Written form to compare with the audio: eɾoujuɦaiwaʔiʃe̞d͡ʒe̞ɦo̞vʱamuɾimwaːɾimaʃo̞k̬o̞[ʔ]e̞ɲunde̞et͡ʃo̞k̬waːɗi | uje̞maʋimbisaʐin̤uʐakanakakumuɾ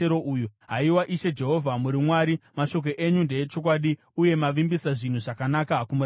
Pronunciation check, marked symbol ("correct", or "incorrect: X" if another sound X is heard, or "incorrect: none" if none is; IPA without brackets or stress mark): correct